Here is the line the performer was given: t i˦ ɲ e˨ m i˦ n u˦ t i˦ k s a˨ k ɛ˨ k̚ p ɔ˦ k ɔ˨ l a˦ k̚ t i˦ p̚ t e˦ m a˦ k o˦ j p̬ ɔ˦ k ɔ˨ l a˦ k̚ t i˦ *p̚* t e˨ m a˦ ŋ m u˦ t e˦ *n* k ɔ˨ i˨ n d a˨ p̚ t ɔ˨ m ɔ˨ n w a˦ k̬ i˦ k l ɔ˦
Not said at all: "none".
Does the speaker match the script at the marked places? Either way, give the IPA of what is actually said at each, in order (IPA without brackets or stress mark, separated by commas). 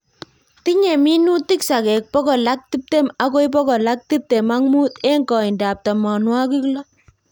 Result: p̚, ŋ